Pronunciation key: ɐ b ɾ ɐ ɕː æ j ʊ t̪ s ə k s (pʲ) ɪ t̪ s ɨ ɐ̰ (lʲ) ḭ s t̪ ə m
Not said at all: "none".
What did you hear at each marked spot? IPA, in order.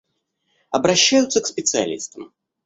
pʲ, lʲ

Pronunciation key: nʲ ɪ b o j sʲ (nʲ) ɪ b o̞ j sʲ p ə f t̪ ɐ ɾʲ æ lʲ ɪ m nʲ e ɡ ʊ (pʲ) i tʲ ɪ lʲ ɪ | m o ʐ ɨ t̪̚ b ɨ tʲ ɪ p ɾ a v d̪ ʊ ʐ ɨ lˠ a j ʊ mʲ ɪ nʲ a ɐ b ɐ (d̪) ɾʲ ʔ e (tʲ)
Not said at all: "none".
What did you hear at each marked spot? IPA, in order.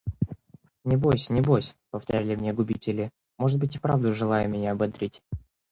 nʲ, bʲ, d̪, tʲ

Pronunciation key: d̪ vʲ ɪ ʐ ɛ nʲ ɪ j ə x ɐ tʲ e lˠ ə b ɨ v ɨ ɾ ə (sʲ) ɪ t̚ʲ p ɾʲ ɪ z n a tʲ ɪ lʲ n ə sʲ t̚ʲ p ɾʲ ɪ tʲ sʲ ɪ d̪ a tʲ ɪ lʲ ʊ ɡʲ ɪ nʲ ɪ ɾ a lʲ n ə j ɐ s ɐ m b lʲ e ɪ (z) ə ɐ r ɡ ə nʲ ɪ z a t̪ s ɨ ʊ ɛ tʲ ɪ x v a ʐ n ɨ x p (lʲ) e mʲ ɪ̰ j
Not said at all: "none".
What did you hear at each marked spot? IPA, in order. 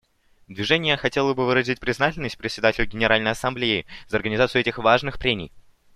zʲ, z, ɾʲ

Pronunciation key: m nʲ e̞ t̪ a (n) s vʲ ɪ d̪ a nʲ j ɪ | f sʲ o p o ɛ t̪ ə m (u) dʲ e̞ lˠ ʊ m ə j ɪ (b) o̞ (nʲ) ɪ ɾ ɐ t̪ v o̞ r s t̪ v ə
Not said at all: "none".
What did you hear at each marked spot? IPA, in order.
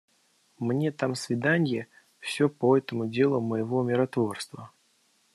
m, ʊ, v, mʲ

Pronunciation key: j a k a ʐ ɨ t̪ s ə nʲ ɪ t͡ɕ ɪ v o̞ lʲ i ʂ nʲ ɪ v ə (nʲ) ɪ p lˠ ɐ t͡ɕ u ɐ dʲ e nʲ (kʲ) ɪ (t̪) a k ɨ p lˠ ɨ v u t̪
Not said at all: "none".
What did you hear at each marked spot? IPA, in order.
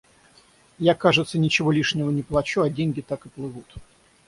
nʲ, ɡʲ, t̪

